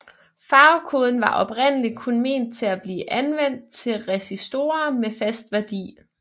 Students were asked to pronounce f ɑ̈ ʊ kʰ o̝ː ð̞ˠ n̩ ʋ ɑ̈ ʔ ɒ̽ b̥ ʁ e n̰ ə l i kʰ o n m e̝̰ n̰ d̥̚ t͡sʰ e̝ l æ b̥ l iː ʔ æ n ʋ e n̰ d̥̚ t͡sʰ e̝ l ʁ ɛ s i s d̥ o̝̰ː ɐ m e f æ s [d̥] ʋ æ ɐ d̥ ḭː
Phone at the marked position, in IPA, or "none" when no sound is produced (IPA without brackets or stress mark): d̥